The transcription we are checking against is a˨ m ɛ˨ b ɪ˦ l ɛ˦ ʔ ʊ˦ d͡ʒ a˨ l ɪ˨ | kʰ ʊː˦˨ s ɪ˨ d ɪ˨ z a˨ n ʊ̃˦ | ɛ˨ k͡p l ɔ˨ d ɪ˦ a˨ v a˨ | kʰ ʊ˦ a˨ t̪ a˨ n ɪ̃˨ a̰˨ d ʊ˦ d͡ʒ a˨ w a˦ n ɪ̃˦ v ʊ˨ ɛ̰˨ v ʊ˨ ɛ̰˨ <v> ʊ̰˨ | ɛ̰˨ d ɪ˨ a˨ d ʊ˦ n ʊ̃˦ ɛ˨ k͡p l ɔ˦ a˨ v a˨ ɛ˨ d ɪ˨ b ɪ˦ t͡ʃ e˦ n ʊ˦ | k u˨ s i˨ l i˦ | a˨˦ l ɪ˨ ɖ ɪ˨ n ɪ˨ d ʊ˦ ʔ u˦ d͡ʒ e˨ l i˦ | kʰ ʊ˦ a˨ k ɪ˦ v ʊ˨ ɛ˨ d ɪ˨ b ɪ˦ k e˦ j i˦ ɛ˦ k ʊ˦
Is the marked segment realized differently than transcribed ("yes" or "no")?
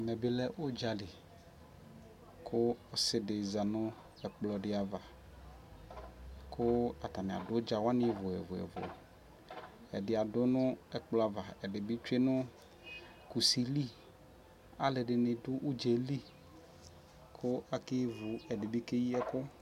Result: no